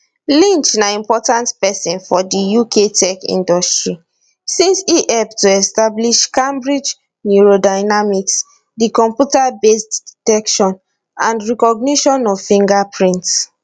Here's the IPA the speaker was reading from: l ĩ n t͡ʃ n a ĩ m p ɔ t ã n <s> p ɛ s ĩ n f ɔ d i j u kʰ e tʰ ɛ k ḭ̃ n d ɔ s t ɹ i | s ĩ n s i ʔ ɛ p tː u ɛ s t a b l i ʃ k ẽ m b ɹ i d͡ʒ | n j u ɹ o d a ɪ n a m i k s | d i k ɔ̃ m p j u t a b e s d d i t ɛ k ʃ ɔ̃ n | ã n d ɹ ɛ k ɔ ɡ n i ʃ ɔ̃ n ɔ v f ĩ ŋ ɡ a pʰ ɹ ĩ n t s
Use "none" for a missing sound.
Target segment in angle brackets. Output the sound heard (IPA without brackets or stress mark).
t